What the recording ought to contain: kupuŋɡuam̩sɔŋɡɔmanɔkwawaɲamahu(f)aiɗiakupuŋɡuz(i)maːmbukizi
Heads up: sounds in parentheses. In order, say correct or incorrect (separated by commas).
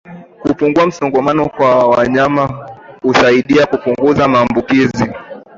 incorrect, incorrect